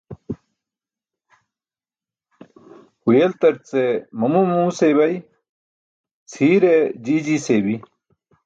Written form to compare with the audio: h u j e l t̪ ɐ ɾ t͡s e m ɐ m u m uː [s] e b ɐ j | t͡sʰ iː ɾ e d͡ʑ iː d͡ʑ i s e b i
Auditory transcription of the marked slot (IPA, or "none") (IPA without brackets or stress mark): s